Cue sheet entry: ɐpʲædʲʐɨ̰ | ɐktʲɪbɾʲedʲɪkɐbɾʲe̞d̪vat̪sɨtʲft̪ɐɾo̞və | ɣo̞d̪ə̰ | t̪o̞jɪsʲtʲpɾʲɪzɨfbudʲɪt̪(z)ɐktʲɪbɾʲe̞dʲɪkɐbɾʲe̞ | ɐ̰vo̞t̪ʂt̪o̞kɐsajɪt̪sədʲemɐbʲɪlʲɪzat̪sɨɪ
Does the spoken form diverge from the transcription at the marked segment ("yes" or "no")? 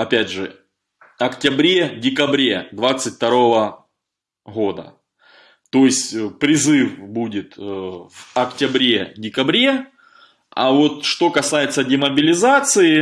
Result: yes